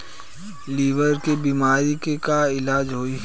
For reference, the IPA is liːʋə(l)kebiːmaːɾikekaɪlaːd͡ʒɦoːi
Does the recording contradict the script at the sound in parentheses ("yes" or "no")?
yes